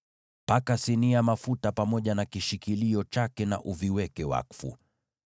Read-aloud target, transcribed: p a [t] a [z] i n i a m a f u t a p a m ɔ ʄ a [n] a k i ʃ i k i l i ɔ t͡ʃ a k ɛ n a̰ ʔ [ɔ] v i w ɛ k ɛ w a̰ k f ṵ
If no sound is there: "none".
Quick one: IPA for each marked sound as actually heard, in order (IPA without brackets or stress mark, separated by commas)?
k, s, n, u